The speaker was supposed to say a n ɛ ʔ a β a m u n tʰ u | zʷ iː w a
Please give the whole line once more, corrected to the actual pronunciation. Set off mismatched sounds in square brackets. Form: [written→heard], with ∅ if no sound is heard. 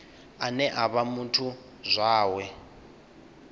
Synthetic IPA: a n ɛ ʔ a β a m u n tʰ u | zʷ [iː→aː] w [a→ɛ]